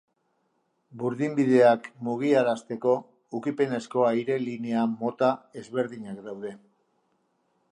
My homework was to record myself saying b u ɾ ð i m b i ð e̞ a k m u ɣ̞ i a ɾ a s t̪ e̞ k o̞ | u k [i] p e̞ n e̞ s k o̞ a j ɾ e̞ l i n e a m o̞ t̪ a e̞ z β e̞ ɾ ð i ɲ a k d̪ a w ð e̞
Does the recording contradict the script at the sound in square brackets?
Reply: no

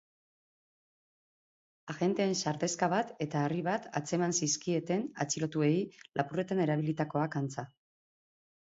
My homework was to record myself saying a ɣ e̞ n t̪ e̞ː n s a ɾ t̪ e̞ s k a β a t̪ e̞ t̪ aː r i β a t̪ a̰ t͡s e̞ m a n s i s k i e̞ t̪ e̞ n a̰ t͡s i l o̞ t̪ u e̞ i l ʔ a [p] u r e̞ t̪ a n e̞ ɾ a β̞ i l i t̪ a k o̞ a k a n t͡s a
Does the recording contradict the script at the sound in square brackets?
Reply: no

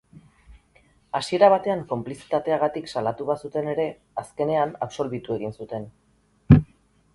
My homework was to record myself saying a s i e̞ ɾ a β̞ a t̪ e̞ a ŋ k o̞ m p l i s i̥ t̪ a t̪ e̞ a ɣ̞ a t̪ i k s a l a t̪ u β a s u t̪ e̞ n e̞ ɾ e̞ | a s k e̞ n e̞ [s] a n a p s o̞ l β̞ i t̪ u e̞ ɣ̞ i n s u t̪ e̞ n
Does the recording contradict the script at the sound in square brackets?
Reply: yes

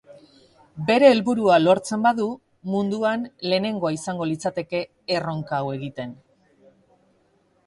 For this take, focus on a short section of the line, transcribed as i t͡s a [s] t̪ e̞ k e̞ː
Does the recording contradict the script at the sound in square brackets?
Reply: yes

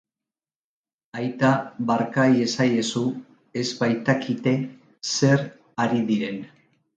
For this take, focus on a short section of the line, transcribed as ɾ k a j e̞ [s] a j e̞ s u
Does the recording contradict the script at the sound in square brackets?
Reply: no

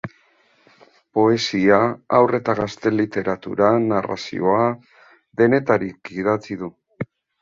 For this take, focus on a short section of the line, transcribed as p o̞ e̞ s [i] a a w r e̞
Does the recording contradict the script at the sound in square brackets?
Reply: no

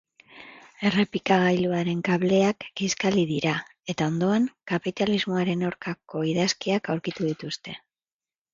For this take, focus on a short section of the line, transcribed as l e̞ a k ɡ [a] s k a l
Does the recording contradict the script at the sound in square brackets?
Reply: yes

